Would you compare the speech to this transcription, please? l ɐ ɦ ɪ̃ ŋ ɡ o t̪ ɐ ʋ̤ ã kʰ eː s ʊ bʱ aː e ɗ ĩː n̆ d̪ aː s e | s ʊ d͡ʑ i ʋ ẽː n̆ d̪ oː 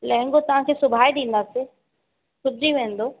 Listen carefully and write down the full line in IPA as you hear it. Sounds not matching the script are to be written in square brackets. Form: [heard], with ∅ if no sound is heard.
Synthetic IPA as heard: l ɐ ɦ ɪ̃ ŋ ɡ o t̪ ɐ ʋ̤ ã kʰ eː s ʊ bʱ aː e ɗ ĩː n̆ d̪ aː s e | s ʊ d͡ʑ i ʋ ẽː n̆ d̪ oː

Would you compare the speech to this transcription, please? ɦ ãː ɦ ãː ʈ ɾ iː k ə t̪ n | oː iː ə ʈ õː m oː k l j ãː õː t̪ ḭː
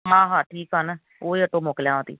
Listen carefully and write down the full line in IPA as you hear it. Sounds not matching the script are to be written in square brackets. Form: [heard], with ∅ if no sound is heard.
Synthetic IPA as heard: ɦ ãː ɦ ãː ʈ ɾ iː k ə [∅] n | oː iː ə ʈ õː m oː k l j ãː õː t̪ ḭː

